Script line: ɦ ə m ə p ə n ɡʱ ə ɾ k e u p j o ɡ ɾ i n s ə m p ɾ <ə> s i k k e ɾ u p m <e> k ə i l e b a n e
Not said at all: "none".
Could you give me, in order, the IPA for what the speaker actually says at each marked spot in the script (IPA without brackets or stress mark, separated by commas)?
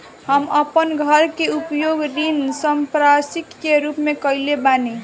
a, e